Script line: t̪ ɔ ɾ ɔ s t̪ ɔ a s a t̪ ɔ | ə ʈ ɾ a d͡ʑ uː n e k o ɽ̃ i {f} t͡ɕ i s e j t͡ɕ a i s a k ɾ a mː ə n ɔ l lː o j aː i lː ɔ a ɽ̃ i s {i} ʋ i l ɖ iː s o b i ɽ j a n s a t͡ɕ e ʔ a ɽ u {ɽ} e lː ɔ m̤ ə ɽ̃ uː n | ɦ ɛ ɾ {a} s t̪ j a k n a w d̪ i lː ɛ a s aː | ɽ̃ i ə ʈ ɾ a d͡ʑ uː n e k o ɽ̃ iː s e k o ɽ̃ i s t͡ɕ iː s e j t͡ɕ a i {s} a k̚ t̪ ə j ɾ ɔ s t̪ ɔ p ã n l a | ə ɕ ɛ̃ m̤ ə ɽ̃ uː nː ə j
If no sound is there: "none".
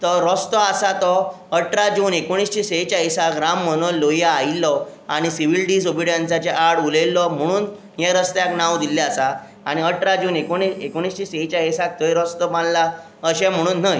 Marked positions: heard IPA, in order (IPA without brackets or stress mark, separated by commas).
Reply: s, i, l, ə, s